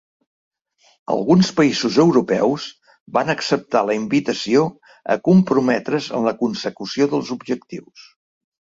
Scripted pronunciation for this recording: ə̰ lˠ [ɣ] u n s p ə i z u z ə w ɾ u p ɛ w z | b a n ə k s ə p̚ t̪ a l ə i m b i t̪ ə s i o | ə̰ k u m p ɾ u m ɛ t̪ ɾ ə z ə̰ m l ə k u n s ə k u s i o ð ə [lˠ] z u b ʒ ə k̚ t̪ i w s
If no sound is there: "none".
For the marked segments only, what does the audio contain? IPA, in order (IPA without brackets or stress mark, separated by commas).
ɣ, lˠ